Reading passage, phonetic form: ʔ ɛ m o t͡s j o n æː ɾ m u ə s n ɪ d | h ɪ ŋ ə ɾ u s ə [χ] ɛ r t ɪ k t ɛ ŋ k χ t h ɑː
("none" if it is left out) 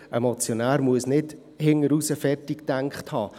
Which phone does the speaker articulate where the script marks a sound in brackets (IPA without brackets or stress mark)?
f